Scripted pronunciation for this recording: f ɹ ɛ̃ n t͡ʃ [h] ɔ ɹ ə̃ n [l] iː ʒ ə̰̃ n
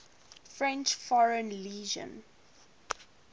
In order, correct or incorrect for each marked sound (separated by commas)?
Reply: incorrect, correct